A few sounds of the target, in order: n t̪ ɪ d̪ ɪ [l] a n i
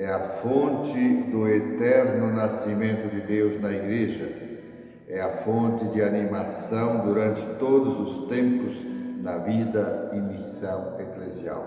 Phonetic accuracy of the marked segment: incorrect: none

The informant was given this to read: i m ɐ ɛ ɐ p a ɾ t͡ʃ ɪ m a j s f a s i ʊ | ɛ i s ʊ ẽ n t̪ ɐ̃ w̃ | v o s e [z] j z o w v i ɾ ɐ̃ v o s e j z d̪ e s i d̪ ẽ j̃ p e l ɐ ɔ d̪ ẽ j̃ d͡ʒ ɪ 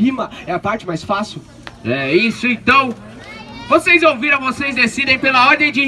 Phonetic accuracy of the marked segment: incorrect: none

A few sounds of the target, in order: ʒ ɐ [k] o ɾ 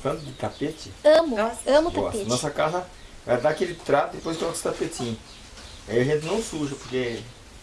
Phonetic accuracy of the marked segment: incorrect: p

